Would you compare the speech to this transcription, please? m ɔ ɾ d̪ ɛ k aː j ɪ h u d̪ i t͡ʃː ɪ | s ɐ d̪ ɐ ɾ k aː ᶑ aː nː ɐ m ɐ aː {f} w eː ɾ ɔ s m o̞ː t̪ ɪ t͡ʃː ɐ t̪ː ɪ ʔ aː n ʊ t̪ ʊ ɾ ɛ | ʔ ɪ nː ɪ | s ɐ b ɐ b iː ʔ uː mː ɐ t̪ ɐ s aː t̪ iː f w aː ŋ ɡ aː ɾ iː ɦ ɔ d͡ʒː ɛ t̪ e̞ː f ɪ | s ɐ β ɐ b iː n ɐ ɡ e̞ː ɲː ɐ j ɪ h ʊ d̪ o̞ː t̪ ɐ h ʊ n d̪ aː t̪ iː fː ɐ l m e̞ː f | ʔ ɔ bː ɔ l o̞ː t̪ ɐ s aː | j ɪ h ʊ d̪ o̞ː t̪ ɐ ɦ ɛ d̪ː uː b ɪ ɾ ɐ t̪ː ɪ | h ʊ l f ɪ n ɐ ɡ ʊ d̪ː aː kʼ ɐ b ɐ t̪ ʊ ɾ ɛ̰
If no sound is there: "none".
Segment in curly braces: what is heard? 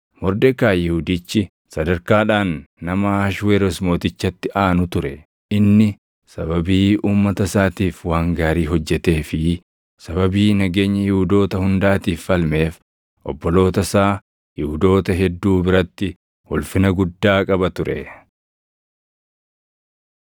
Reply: ʃ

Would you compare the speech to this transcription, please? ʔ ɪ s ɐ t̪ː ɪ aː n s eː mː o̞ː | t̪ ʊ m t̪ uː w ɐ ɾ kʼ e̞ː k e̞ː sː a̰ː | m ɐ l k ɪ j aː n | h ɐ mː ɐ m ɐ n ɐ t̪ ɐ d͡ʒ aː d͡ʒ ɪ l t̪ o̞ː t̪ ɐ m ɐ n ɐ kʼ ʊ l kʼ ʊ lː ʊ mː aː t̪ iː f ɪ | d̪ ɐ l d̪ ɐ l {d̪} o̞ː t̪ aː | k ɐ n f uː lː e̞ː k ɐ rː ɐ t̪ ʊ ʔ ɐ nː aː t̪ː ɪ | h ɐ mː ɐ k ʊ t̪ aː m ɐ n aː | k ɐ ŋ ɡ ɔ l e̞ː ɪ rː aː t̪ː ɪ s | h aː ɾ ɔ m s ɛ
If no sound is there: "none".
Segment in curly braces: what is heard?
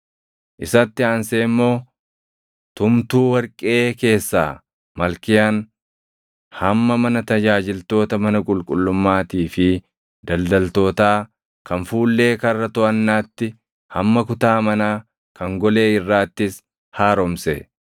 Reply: t̪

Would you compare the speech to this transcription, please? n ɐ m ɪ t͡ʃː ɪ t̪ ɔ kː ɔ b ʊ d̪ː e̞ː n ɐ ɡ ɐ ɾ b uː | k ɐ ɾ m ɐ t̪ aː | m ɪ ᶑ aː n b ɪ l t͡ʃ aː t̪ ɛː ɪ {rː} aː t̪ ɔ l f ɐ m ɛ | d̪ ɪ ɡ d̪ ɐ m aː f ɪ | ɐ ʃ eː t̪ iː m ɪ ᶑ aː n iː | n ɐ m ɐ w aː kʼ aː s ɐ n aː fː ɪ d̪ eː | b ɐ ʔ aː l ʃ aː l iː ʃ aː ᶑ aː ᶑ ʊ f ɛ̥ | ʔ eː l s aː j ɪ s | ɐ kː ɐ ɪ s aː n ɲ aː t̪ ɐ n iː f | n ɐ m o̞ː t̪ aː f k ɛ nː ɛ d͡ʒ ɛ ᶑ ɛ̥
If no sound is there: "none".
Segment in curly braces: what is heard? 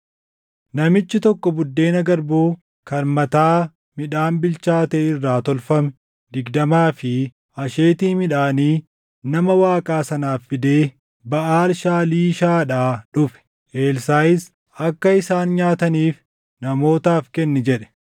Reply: rː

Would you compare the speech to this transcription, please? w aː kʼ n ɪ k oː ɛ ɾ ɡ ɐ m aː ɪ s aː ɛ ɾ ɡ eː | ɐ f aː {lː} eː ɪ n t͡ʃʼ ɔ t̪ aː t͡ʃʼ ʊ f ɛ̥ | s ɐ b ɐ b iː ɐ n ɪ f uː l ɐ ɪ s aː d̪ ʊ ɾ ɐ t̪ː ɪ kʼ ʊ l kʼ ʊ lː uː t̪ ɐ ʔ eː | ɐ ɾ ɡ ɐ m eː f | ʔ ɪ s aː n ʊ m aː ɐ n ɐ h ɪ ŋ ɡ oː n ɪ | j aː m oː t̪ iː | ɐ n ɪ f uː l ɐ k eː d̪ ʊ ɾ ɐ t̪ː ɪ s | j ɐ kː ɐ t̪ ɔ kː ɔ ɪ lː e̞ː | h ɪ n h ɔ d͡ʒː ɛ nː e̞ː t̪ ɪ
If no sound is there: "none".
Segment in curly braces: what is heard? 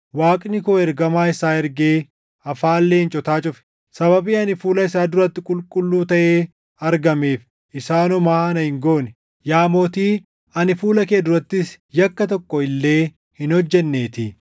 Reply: lː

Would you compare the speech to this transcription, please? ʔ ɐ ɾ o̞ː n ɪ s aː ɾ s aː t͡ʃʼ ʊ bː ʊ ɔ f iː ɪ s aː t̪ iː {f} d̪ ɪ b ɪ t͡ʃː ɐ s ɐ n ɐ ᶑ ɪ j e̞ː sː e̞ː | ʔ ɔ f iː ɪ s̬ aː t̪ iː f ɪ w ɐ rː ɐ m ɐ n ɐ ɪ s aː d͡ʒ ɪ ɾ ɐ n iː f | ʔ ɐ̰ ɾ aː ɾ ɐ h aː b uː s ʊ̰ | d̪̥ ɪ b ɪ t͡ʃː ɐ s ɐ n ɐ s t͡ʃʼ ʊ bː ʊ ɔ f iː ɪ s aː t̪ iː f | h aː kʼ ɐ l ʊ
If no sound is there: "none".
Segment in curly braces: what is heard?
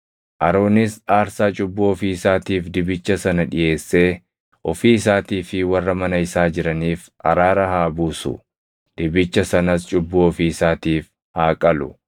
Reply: f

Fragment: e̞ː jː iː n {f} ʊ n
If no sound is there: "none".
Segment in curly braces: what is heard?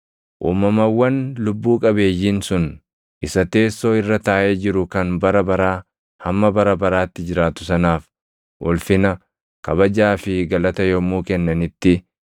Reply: s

